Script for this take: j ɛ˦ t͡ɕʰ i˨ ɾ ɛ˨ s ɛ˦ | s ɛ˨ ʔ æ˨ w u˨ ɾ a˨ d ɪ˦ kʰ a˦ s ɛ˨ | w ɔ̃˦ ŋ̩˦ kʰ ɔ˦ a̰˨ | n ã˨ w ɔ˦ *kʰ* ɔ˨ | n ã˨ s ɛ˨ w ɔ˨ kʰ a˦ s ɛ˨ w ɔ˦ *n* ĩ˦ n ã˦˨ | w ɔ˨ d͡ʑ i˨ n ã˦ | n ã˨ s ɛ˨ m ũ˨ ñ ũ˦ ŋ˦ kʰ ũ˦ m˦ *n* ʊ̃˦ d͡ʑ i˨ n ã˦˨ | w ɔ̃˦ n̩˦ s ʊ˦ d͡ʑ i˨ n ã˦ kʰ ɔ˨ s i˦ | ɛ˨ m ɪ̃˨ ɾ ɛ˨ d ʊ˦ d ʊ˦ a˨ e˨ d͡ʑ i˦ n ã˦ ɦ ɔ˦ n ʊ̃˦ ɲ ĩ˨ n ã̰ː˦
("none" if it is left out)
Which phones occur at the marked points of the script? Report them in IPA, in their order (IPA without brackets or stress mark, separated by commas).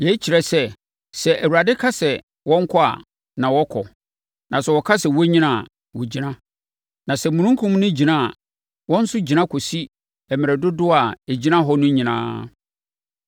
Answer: kʰ, ɲ, n